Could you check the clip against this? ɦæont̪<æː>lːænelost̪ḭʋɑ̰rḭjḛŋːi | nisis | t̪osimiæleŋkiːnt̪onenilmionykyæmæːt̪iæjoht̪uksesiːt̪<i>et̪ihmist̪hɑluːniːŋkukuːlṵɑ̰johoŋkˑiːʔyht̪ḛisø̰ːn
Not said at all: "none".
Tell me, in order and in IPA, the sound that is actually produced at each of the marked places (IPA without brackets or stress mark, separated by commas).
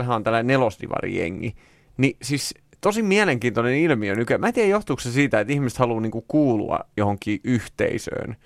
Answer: æ, æ